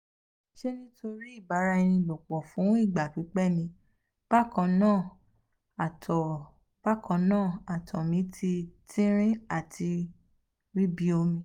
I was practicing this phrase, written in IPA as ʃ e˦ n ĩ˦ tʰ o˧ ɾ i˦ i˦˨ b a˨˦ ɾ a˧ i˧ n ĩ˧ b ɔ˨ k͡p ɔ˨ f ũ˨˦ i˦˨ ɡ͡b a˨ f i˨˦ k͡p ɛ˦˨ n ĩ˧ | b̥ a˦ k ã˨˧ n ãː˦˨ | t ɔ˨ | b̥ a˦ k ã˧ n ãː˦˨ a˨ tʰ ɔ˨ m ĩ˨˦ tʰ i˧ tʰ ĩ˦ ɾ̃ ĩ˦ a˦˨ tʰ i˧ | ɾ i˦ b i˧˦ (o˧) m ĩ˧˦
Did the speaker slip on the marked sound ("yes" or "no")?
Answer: no